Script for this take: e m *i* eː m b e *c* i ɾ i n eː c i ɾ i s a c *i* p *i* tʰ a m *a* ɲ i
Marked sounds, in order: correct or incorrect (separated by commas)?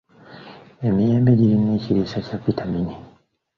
correct, incorrect, incorrect, correct, incorrect